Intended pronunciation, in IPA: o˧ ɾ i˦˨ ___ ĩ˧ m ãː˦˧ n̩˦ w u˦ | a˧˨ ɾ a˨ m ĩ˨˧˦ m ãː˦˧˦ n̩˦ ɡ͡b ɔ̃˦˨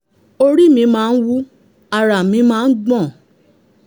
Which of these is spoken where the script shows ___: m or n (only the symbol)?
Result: m